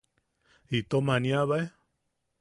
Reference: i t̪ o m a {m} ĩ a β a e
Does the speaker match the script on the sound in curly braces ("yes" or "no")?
no